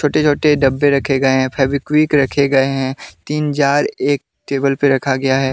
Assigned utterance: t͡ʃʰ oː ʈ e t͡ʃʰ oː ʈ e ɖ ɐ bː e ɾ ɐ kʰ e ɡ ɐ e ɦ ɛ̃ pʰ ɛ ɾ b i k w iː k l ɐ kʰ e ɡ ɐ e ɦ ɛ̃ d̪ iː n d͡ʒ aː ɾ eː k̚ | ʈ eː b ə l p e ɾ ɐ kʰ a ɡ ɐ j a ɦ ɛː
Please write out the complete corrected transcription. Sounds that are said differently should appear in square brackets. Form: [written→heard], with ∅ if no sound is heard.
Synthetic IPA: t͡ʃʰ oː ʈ e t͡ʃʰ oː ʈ e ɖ ɐ bː e ɾ ɐ kʰ e ɡ ɐ e ɦ ɛ̃ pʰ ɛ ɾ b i k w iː k [l→ɾ] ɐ kʰ e ɡ ɐ e ɦ ɛ̃ [d̪→t̪] iː n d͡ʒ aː ɾ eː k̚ | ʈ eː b ə l p e ɾ ɐ kʰ a ɡ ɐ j a ɦ ɛː